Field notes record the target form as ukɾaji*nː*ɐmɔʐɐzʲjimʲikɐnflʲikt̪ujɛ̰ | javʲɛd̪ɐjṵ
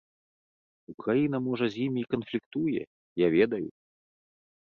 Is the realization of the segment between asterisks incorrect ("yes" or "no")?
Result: yes